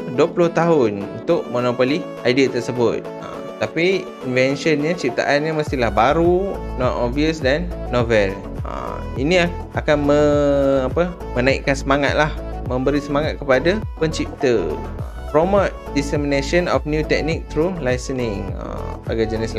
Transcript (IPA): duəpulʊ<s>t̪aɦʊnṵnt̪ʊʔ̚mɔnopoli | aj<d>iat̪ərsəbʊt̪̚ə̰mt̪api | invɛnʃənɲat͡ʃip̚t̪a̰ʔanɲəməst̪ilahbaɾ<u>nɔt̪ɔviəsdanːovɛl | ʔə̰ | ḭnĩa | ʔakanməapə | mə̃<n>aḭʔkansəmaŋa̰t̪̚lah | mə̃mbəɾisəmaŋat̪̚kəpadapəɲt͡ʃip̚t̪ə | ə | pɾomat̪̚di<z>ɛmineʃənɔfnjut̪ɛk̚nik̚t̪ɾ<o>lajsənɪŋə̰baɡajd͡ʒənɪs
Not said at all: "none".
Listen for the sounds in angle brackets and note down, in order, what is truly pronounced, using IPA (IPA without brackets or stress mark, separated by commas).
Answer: h, d, u, n, s, u